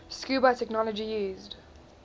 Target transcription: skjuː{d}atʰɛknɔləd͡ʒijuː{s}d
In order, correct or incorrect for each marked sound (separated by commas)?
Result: incorrect, incorrect